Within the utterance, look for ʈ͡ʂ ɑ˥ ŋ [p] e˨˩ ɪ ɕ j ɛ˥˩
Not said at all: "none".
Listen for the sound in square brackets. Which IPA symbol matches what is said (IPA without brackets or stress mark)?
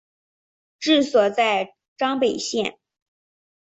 p